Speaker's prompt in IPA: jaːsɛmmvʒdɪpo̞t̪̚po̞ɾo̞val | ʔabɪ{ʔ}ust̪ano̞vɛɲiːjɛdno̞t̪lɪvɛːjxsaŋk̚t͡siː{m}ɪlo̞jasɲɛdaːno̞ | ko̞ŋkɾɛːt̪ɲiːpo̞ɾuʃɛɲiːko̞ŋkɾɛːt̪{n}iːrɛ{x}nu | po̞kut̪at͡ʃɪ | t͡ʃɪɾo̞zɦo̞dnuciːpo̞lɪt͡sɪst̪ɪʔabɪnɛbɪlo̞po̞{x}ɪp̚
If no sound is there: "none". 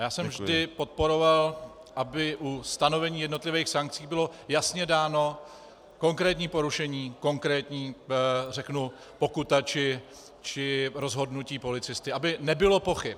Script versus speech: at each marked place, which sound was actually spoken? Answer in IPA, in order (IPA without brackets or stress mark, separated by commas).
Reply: ʔ, b, ɲ, k, x